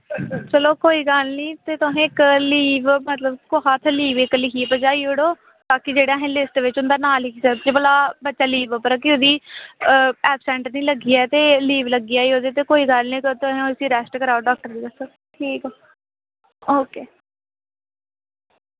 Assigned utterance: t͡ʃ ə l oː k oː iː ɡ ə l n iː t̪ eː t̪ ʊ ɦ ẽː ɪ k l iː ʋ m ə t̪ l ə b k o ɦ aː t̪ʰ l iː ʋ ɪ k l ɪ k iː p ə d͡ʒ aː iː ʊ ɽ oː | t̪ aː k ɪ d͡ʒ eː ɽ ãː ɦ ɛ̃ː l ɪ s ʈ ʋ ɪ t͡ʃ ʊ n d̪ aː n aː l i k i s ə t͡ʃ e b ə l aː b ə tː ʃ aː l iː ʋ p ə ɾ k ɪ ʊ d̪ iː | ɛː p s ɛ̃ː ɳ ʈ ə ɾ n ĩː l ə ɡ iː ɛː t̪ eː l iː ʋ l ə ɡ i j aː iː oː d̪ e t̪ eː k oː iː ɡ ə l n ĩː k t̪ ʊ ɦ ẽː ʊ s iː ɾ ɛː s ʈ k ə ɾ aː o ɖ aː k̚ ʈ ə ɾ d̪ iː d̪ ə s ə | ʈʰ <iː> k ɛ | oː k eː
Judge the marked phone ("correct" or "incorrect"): correct